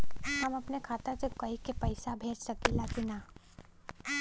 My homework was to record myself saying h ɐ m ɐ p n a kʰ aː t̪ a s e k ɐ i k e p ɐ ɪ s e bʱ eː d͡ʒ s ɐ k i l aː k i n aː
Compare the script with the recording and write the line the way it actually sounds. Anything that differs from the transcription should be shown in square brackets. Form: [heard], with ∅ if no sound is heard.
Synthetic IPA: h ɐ m ɐ p n [e] kʰ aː t̪ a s e k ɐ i k e p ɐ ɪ s [a] bʱ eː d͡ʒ s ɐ k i l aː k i n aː